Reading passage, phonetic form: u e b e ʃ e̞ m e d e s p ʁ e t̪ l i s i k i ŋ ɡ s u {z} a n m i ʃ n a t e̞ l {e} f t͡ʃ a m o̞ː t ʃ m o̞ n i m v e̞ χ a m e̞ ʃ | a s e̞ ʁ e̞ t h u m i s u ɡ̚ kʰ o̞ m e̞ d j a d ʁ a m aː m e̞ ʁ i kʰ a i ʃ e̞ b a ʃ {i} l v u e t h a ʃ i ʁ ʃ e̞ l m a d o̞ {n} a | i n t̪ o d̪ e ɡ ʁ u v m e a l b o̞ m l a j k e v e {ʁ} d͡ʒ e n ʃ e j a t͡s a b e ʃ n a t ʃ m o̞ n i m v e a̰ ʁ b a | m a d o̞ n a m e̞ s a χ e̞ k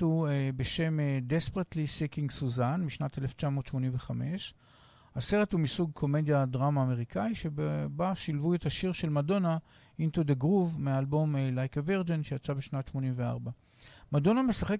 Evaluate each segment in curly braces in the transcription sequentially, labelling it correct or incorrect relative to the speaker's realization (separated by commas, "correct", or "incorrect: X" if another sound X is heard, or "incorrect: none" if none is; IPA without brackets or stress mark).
correct, correct, correct, correct, correct